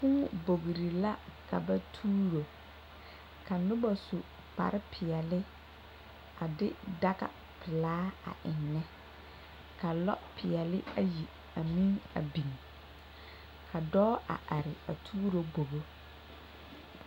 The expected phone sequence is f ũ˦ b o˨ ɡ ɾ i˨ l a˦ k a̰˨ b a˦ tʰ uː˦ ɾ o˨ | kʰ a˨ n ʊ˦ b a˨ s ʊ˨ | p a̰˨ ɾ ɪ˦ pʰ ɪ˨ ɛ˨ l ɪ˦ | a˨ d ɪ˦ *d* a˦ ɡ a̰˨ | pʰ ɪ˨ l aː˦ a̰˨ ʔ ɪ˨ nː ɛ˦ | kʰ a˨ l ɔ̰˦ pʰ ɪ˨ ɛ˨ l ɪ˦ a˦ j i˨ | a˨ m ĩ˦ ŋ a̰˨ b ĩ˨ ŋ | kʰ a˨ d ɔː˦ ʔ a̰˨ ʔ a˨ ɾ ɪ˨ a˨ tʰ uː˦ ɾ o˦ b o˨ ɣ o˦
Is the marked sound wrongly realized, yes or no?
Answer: no